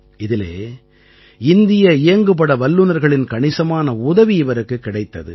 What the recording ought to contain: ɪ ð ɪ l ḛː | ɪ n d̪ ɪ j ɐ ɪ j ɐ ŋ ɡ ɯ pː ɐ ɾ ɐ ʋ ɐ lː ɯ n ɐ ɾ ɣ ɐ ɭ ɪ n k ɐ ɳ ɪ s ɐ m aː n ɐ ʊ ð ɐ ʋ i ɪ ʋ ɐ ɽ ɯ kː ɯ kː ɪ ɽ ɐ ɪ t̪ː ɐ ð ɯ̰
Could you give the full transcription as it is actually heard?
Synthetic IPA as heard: ɪ ð ɪ l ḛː | ɪ n d̪ ɪ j ɐ ɪ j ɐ ŋ ɡ ɯ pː ɐ ɽ ɐ ʋ ɐ lː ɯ n ɐ ɾ ɣ ɐ ɭ ɪ n k ɐ ɳ ɪ s ɐ m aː n ɐ ʊ ð ɐ ʋ i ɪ ʋ ɐ ɾ ɯ kː ɯ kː ɪ ɽ ɐ ɪ t̪ː ɐ ð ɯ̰